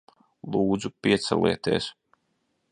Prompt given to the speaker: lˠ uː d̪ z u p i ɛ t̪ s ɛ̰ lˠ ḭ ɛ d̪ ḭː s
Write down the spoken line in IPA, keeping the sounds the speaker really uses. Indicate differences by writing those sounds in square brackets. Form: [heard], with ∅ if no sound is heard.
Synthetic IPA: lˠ uː d̪ z u p i ɛ t̪ s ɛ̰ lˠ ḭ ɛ [t̪] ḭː s